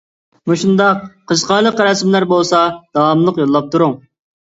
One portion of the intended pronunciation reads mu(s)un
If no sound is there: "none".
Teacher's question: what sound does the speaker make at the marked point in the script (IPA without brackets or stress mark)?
ʃ